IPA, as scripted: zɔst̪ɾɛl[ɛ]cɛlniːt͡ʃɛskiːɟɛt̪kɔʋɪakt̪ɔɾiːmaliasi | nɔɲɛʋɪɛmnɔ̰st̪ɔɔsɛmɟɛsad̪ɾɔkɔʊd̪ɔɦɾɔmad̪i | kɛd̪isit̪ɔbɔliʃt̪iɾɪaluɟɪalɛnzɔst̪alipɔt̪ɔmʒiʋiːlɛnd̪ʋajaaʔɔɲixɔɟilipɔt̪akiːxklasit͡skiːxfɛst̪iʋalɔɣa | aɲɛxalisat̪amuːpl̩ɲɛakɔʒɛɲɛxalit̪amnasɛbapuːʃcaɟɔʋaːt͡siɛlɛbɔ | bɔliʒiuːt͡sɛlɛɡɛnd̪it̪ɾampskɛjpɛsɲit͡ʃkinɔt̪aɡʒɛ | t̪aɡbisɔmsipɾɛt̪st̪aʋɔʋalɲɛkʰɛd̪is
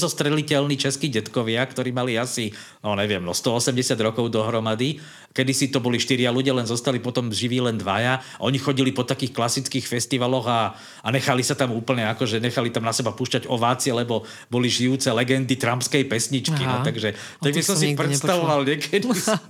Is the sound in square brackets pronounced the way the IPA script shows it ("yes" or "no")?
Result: no